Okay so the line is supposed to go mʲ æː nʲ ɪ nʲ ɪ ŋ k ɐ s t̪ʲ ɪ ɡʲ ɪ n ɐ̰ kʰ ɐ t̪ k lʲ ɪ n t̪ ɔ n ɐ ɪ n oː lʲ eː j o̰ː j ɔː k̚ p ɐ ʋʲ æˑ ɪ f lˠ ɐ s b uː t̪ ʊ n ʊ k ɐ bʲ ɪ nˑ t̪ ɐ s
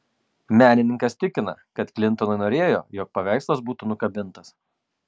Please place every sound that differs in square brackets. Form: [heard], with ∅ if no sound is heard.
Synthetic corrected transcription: mʲ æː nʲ ɪ nʲ ɪ ŋ k ɐ s t̪ʲ ɪ [kʲ] ɪ n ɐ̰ [k] ɐ t̪ k lʲ ɪ n t̪ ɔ n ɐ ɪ n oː [ɾʲ] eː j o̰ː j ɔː k̚ p ɐ ʋʲ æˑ ɪ [s] lˠ ɐ s b uː t̪ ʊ n ʊ k ɐ bʲ ɪ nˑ t̪ ɐ s